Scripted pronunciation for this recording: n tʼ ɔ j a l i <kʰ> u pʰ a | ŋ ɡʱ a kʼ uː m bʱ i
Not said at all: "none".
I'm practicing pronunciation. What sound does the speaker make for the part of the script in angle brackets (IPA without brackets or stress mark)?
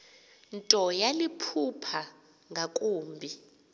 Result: pʰ